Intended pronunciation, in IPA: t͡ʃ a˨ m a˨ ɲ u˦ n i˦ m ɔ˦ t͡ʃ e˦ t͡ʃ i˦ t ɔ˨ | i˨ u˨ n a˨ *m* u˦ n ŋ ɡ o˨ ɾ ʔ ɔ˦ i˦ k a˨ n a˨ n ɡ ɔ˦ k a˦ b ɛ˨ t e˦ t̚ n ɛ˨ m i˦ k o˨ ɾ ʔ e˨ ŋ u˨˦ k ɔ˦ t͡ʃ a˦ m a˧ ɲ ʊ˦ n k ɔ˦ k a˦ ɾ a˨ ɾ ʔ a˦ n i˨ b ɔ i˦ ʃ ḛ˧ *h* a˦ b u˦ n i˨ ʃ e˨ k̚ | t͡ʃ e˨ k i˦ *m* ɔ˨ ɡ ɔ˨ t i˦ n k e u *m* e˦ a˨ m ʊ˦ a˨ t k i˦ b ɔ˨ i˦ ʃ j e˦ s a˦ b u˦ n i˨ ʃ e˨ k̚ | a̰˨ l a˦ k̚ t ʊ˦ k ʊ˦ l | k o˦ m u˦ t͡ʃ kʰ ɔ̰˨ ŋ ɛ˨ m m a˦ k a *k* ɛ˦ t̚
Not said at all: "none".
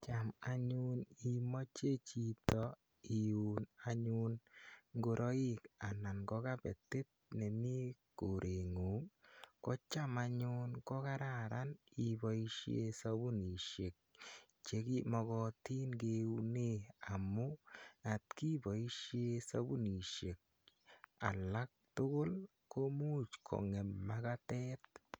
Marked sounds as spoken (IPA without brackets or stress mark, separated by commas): ɲ, s, m, n, t